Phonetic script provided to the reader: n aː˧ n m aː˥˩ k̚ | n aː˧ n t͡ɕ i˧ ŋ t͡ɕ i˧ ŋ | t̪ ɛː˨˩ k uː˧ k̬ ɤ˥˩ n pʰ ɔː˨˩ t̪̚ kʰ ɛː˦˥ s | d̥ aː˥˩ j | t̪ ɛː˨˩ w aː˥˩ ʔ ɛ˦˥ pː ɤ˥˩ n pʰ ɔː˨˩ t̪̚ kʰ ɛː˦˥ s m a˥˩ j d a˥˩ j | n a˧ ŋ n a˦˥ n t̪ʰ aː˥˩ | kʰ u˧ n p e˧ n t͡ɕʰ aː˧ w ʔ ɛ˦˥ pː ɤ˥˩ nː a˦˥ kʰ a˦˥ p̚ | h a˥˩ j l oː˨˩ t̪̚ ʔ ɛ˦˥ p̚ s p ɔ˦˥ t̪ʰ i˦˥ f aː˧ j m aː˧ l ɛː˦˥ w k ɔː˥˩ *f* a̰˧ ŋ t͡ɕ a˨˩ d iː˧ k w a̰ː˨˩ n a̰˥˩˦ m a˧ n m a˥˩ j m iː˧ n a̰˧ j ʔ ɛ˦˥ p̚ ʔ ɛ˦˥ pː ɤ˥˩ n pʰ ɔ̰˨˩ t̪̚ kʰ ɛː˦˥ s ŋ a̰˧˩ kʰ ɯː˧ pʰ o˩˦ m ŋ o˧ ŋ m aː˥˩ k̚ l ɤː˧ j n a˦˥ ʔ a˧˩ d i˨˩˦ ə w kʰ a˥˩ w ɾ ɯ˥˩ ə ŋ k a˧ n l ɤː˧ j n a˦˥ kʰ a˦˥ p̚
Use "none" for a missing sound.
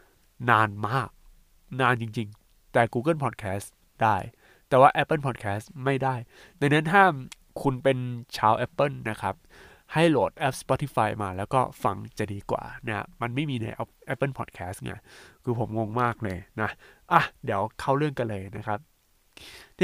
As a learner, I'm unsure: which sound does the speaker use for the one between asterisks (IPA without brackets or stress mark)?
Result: f